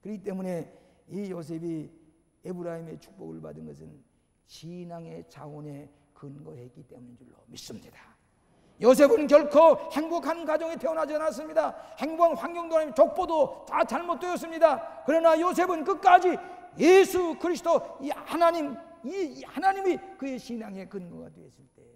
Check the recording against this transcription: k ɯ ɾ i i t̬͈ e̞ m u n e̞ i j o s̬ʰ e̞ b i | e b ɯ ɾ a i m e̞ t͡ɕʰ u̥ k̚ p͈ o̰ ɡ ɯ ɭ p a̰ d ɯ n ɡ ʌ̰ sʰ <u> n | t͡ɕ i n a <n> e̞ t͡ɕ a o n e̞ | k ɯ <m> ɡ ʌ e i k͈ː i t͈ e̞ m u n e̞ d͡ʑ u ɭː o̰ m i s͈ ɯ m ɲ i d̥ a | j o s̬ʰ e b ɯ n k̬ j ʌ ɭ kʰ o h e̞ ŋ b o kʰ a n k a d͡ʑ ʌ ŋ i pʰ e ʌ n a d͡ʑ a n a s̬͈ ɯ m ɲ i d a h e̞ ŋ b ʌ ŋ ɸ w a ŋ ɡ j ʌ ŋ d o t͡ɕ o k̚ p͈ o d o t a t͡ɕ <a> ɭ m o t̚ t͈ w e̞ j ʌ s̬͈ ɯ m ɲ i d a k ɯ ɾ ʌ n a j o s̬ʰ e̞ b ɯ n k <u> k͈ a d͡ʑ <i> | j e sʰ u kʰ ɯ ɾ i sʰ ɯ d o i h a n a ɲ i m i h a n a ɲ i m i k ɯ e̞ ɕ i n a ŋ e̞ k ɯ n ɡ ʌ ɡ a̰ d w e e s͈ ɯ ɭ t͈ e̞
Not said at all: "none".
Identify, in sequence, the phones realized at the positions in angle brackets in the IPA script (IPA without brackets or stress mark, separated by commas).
ɯ, ŋ, n, a, ɯ, i